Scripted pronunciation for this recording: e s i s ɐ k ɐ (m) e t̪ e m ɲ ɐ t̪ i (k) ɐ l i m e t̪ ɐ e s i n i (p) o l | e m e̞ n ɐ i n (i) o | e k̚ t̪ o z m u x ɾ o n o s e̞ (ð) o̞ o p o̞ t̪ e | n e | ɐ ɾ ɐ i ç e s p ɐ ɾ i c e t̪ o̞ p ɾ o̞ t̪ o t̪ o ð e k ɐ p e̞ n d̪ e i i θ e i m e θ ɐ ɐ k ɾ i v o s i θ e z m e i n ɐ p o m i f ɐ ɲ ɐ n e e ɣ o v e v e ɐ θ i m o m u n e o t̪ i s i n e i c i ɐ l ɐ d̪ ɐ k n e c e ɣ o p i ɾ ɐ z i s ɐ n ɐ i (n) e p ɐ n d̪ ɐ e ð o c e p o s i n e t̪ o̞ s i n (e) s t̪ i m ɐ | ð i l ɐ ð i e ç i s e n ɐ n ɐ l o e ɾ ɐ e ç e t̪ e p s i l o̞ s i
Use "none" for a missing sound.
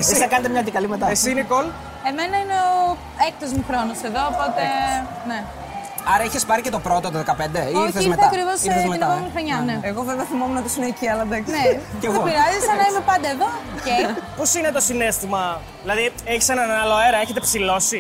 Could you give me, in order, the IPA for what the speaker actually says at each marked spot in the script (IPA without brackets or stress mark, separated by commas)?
n, k, k, e, ð, m, e